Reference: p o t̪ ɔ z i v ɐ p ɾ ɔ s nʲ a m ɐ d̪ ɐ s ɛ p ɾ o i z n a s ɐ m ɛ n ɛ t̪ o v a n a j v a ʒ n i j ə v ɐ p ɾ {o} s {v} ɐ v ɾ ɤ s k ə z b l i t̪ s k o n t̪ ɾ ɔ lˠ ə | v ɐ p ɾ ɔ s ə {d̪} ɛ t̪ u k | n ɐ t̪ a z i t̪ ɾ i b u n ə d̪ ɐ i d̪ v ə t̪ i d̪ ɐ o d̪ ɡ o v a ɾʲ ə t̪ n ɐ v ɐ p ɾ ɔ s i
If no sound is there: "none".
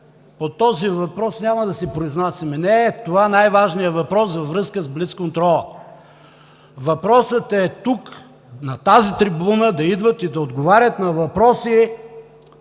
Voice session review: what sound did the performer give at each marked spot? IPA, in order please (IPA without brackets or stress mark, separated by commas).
ɔ, v, t̪